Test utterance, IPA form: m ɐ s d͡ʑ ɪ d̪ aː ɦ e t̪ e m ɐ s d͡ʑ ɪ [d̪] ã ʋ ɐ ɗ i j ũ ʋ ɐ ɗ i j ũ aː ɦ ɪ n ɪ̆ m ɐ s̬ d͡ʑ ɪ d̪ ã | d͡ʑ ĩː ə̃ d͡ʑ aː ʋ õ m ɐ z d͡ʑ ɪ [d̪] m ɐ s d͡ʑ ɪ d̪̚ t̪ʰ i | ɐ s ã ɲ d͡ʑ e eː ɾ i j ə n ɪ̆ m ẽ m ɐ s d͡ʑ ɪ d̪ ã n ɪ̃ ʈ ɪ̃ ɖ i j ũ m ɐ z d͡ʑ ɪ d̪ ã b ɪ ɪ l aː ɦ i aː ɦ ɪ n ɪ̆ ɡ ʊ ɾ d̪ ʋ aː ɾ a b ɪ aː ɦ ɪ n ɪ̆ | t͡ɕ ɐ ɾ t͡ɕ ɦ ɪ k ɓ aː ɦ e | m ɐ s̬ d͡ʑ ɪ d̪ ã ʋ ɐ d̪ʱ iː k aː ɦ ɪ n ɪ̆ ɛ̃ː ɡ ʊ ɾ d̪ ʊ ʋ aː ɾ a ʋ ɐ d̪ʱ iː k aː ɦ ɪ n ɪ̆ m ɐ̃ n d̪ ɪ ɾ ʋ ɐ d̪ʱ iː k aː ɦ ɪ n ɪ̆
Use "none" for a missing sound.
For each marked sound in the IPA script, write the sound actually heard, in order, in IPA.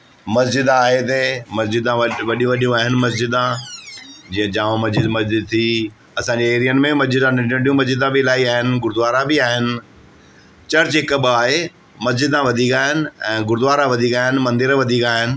d̪, d̪

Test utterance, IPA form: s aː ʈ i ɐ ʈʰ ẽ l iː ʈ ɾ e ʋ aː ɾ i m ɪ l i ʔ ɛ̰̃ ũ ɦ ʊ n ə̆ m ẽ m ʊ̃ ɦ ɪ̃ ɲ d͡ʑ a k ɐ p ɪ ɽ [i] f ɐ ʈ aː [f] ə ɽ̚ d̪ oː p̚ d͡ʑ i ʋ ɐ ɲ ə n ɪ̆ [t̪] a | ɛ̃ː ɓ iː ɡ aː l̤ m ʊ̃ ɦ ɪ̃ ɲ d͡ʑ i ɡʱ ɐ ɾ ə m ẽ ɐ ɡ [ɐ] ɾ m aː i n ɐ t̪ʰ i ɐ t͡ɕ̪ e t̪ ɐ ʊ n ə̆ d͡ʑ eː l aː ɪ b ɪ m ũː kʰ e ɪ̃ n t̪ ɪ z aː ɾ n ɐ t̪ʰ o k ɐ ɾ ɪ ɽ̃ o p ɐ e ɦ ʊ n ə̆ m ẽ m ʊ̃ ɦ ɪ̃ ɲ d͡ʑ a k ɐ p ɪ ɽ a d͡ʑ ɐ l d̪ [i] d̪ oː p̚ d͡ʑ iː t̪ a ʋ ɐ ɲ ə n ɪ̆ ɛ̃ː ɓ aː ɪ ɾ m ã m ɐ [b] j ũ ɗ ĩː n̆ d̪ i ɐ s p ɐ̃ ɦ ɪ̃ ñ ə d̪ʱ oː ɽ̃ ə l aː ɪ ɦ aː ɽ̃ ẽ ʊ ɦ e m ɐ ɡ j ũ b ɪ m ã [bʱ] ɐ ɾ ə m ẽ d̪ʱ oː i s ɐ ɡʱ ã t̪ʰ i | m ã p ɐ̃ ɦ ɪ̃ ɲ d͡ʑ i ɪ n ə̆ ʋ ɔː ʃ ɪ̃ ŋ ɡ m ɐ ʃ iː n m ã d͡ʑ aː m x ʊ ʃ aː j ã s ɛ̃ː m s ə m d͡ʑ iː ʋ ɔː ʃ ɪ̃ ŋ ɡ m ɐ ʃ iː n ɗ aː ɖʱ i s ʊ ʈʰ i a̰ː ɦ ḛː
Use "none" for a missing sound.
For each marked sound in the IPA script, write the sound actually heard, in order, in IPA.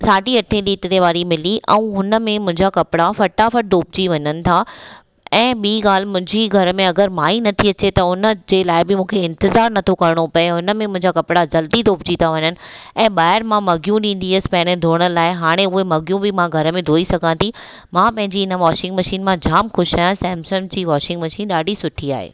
a, f, t̪ʰ, ə, i, ɡ, ɡʱ

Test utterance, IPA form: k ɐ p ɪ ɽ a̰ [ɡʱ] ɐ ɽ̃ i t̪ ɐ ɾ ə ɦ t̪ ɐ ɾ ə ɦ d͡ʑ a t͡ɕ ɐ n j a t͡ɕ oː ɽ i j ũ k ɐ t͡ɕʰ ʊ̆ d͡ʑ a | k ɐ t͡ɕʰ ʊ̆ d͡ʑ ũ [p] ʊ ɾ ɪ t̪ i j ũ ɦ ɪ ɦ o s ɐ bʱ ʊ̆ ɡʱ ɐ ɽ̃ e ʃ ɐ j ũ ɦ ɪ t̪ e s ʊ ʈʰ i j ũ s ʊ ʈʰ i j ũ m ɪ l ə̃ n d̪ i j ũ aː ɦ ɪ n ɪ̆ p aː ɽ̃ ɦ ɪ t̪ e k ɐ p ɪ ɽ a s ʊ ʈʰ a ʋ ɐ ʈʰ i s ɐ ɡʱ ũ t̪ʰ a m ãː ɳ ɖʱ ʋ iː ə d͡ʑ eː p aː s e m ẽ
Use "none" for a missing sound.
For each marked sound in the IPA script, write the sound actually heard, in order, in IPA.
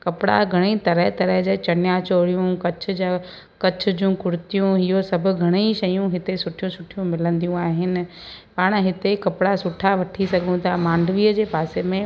ɡʱ, k

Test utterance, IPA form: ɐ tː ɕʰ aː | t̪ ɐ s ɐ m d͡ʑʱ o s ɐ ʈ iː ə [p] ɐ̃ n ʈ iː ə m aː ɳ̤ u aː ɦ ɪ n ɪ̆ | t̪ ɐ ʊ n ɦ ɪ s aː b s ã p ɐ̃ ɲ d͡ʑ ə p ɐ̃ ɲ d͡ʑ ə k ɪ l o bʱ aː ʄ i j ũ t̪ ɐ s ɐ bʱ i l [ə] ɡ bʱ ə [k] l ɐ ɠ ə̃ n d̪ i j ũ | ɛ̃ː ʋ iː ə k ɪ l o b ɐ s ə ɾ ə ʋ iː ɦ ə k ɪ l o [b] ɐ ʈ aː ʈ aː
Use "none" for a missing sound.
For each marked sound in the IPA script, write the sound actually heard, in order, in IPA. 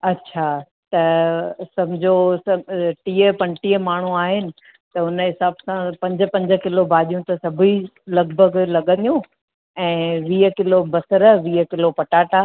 p, ɐ, ɡ, p

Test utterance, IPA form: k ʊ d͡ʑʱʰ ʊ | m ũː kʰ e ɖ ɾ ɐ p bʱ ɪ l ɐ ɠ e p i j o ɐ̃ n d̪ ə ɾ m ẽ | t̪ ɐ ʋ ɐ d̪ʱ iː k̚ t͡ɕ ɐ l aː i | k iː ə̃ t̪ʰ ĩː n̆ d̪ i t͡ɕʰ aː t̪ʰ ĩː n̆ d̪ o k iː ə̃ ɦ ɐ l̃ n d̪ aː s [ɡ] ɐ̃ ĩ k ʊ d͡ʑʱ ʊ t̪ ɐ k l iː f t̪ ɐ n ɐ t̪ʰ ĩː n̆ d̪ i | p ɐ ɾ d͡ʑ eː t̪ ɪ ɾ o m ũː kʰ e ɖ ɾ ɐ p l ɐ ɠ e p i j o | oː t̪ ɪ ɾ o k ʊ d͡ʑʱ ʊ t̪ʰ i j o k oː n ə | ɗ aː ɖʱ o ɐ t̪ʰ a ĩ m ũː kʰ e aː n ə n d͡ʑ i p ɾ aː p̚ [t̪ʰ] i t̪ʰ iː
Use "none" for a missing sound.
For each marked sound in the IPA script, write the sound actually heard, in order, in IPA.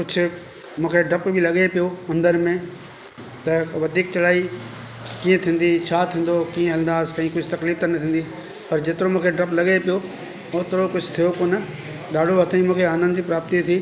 k, t̪

